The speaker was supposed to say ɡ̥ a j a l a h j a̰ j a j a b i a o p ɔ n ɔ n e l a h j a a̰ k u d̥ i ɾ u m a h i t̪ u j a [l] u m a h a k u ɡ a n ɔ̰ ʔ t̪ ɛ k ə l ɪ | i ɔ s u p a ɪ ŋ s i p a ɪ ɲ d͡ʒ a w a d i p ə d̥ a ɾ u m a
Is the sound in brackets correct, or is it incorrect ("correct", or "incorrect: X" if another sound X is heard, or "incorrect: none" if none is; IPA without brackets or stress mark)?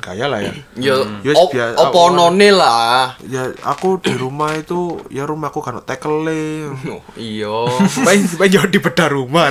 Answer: incorrect: ɾ